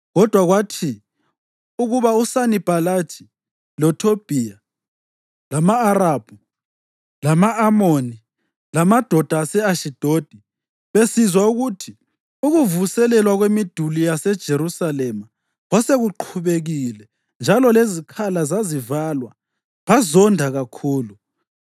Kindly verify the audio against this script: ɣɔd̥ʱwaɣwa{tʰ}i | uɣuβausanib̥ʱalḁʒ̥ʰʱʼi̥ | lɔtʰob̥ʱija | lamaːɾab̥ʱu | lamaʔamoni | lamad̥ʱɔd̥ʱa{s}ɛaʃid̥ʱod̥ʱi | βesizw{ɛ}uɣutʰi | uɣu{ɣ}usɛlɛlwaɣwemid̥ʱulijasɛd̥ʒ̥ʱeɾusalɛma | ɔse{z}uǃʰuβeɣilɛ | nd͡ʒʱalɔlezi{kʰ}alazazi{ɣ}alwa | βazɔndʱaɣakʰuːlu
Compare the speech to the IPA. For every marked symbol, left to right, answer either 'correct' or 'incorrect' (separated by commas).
correct, correct, incorrect, incorrect, incorrect, correct, incorrect